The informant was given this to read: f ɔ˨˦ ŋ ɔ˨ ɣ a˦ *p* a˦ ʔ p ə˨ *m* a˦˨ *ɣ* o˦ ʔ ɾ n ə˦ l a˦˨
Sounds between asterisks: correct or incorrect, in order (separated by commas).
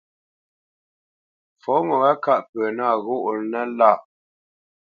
incorrect, incorrect, correct